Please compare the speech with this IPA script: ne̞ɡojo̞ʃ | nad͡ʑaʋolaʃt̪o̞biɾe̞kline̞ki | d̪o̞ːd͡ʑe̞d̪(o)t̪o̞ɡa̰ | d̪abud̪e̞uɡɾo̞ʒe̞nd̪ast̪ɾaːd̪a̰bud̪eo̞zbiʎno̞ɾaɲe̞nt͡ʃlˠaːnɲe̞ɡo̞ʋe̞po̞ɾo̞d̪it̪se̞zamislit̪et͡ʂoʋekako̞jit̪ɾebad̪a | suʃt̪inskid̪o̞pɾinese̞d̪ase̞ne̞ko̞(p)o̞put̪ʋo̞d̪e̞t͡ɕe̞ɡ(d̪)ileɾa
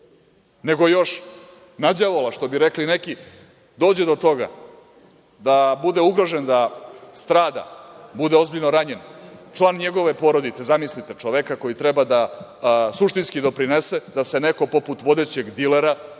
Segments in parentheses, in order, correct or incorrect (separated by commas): correct, correct, correct